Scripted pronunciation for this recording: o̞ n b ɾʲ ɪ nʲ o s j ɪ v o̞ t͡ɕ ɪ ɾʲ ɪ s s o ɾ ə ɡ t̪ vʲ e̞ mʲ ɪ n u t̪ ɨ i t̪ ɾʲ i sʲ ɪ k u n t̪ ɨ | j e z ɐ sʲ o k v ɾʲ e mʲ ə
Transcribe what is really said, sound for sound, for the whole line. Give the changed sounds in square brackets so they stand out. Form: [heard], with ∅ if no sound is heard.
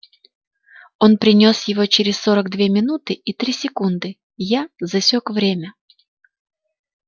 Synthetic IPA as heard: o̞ n [p] ɾʲ ɪ nʲ o s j ɪ v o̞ t͡ɕ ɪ ɾʲ ɪ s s o ɾ ə ɡ [d̪] vʲ e̞ mʲ ɪ n u t̪ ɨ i t̪ ɾʲ i sʲ ɪ k u n [d̪] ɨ | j [a] z ɐ sʲ o k v ɾʲ e mʲ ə